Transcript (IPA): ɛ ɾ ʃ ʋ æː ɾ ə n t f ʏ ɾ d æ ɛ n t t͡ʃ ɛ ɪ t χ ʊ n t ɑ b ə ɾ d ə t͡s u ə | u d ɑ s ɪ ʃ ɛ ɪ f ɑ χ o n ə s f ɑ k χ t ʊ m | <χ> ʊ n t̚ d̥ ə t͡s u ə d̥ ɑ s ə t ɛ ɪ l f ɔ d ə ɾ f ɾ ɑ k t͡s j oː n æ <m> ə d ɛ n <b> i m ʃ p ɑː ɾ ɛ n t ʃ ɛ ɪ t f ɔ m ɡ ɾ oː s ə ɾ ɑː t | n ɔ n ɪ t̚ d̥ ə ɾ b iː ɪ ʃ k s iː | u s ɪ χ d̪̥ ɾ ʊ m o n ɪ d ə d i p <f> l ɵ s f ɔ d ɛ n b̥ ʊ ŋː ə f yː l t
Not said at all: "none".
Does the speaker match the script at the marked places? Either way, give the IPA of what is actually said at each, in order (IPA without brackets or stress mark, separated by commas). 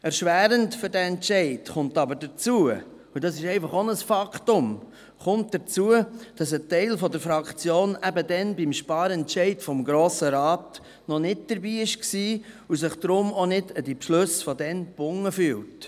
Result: χ, b, b, ʃ